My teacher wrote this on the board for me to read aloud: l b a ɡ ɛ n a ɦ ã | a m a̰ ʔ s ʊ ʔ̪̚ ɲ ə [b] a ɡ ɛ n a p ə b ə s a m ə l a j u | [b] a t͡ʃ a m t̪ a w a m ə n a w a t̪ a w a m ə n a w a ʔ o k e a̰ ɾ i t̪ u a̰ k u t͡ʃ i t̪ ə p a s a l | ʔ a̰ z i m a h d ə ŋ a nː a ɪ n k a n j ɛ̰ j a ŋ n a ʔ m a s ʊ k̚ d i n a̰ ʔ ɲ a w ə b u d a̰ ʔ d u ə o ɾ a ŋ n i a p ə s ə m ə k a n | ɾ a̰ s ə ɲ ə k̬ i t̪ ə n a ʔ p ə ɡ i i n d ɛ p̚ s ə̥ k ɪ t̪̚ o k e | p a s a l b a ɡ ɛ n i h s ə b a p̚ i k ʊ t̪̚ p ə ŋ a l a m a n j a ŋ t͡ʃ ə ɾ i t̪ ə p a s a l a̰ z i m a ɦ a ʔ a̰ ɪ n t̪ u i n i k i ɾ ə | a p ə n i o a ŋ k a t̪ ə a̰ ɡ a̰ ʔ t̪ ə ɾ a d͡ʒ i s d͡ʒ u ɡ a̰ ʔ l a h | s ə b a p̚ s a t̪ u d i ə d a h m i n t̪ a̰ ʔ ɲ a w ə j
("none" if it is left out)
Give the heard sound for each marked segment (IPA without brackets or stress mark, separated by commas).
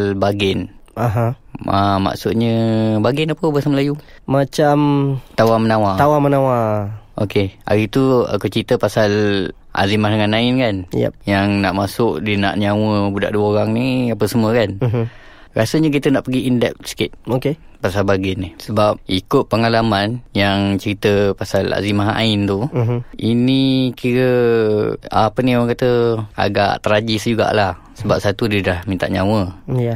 b, m